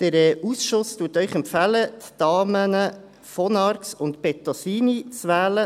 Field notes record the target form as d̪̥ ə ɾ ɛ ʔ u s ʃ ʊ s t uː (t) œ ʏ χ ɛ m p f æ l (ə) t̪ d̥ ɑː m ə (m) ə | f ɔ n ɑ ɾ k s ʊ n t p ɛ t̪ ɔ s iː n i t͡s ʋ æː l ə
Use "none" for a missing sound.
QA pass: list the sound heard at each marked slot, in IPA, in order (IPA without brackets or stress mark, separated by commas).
t, ə, n